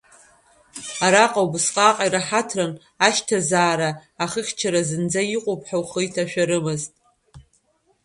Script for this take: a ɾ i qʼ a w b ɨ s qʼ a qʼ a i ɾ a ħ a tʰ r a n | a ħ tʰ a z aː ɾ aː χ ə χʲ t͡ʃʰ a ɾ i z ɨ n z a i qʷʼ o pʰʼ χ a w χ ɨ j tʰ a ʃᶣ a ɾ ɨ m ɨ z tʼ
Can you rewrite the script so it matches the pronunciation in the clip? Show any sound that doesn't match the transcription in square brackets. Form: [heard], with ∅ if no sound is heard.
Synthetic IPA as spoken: a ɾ [a] qʼ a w b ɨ s qʼ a qʼ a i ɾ a ħ a tʰ r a n | a [ʃ] tʰ a z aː ɾ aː χ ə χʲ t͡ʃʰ a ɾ [a] z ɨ n [d͡z] a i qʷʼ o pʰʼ [ħ] a w χ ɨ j tʰ a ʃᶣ a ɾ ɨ m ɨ z tʼ